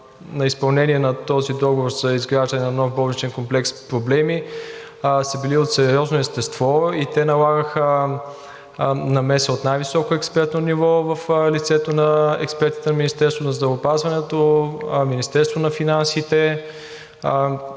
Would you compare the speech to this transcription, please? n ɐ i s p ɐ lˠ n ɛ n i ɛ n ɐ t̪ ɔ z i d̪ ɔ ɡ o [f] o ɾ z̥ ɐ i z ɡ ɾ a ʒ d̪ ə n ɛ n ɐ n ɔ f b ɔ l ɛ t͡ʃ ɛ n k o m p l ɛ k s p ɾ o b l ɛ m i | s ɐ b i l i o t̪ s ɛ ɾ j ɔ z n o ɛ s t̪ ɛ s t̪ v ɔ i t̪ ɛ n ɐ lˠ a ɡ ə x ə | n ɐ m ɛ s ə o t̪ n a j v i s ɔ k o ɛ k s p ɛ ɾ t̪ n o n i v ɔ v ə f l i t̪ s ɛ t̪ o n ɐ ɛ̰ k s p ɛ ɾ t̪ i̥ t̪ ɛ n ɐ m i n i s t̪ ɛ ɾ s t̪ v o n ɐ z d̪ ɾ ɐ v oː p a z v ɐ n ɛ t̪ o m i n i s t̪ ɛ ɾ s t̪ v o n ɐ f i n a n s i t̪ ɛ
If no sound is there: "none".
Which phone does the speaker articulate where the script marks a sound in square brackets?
v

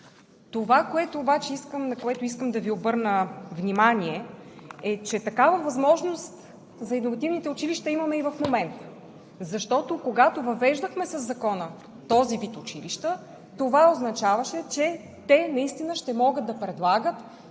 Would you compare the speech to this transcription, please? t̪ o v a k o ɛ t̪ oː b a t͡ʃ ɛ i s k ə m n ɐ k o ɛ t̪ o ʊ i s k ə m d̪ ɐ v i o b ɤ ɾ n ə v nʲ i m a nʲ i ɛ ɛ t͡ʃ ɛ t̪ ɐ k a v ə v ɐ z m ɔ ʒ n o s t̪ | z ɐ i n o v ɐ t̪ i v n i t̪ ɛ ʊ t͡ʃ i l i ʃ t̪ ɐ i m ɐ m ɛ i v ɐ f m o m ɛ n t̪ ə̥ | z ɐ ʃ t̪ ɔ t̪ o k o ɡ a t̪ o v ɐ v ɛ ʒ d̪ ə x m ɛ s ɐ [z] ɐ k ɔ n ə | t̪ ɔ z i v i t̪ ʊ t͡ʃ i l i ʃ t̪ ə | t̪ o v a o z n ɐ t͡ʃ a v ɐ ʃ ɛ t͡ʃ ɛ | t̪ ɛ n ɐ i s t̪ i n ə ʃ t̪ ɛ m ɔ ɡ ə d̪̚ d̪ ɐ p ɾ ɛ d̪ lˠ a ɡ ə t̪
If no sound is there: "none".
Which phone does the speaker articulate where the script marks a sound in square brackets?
zː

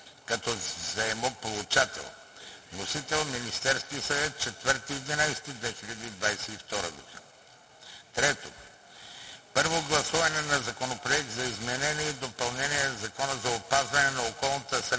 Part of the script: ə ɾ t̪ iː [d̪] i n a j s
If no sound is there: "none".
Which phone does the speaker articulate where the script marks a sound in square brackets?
d̪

